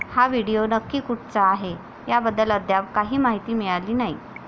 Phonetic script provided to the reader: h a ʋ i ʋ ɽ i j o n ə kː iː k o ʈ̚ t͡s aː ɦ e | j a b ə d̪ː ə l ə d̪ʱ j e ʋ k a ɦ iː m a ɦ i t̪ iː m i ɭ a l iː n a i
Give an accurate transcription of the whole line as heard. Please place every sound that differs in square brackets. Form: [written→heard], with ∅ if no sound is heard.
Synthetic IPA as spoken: h a ʋ i [ʋ→∅] ɽ i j o n ə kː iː k [o→u] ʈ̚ t͡s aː ɦ e | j a b ə d̪ː ə l ə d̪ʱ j [e→a] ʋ k a ɦ iː m a ɦ i t̪ iː m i ɭ a l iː n a i